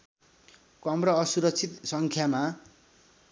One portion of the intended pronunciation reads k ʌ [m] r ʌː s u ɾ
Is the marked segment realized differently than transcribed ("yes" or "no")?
no